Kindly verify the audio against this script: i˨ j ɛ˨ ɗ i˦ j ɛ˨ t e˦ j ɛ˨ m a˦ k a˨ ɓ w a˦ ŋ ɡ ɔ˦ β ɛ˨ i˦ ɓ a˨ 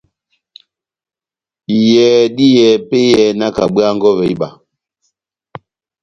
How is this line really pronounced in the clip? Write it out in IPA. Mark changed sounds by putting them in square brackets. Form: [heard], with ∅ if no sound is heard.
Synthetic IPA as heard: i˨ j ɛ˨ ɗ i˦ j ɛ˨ [p] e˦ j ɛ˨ [n] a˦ k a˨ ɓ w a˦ ŋ ɡ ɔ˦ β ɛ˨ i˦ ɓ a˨